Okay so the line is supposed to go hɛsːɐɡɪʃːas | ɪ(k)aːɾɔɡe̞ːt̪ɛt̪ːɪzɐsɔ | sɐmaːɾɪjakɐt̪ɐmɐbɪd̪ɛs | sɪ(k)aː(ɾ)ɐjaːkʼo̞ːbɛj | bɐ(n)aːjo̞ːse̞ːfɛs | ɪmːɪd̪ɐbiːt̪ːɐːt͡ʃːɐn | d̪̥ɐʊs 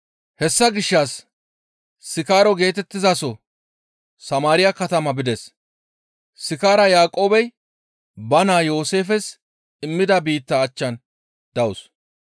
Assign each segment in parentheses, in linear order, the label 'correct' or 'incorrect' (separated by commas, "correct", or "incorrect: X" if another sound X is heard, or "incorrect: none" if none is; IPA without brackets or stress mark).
correct, correct, correct, correct